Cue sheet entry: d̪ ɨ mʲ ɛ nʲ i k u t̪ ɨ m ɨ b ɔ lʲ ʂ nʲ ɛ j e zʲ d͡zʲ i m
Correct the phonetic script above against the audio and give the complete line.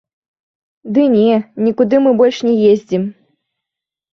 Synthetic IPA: d̪ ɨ nʲ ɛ nʲ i k u d̪ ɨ m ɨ b ɔ lʲ ʂ nʲ ɛ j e zʲ d͡zʲ i m